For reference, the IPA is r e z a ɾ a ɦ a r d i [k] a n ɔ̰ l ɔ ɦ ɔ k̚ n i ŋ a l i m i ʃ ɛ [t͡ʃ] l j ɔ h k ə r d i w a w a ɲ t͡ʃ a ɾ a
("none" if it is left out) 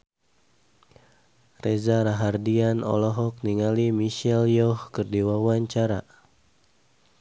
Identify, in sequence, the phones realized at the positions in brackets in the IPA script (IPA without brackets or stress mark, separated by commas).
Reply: none, none